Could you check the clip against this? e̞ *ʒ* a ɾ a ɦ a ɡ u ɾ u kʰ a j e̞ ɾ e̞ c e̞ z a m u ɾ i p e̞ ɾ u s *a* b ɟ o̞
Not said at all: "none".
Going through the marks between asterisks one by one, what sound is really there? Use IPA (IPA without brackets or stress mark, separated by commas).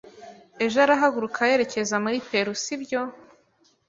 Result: ʒ, i